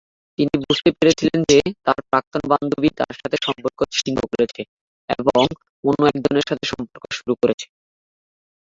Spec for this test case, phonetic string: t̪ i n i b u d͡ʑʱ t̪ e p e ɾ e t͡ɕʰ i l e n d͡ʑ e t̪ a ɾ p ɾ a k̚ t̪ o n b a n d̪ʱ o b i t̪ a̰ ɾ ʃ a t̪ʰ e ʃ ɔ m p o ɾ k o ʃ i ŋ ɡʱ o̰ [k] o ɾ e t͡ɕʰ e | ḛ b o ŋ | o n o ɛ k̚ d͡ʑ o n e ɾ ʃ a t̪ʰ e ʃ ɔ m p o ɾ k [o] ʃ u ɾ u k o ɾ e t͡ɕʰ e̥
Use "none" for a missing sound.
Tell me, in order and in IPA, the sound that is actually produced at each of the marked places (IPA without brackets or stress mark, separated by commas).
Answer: k, o